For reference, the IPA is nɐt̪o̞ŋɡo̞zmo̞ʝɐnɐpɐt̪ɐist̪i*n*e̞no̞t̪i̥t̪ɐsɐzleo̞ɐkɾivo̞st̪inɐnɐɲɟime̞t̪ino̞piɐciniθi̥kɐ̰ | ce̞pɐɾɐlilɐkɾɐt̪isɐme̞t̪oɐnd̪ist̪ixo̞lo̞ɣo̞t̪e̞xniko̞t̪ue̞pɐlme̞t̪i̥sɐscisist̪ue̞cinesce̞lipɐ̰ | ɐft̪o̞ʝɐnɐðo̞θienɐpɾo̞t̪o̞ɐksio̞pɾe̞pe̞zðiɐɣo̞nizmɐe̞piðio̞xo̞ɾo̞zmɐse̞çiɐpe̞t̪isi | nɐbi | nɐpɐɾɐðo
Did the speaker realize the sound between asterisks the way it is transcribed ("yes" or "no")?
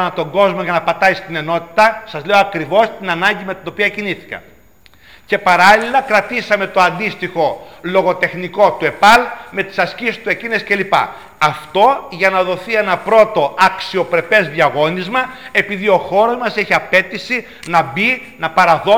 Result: yes